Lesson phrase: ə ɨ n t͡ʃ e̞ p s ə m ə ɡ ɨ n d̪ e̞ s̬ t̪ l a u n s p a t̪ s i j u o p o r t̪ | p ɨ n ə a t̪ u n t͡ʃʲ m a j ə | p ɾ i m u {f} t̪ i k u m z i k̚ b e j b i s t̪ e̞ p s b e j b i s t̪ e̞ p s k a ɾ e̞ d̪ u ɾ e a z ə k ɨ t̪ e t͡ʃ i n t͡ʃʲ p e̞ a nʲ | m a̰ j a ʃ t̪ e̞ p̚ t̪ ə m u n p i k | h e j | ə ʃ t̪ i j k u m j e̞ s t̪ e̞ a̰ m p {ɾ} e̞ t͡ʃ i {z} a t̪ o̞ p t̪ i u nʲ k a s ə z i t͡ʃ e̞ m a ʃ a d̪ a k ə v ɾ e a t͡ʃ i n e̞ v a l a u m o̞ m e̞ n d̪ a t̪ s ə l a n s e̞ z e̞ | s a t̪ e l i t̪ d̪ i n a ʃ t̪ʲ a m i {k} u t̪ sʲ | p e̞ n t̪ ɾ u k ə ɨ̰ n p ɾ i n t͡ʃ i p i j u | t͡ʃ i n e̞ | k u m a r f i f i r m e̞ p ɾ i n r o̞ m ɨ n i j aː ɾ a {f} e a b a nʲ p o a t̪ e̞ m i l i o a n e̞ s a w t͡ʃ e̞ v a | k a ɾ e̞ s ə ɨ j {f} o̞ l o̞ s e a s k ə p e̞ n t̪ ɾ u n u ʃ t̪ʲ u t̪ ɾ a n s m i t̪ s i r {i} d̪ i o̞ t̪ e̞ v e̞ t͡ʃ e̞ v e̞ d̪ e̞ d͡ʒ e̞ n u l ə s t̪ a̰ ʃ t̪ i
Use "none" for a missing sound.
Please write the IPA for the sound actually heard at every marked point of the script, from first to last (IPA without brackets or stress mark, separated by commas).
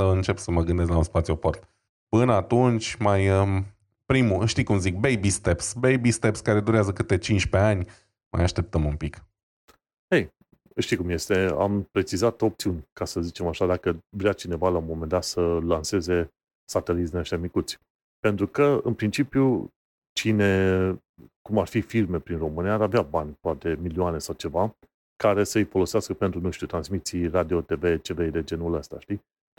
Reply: ʃ, ɾ, z, k, v, f, a